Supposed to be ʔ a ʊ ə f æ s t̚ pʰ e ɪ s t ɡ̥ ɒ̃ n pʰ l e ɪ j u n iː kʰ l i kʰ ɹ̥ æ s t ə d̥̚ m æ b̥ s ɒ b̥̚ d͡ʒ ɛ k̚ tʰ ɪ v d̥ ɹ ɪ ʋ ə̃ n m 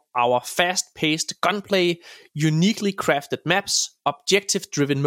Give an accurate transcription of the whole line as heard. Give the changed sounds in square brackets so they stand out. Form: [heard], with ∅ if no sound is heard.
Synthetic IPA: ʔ a ʊ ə f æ s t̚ pʰ e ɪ s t ɡ̥ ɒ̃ n pʰ l e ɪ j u n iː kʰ l i kʰ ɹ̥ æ [f] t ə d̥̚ m æ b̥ s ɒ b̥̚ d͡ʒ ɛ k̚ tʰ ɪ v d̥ ɹ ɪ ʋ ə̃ n m